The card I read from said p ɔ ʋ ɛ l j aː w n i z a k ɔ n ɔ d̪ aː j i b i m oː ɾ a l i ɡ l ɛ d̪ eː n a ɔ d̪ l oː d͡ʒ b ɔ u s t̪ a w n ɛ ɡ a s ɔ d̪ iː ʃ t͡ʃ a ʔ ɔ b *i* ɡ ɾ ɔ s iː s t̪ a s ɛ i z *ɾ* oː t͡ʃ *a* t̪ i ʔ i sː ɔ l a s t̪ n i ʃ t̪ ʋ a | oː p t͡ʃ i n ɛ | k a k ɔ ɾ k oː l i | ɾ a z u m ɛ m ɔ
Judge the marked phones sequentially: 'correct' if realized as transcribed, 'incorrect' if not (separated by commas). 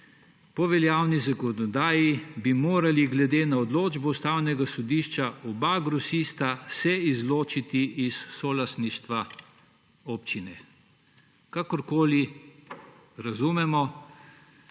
incorrect, incorrect, incorrect